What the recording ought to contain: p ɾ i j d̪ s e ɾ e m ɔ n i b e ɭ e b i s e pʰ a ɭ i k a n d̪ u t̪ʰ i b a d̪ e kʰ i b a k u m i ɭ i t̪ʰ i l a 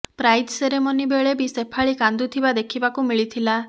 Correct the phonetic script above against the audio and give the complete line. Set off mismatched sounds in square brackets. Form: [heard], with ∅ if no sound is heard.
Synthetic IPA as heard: p ɾ [a] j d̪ s e ɾ e m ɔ n i b e ɭ e b i s e pʰ a ɭ i k a n d̪ u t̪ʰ i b a d̪ e kʰ i b a k u m i ɭ i t̪ʰ i l a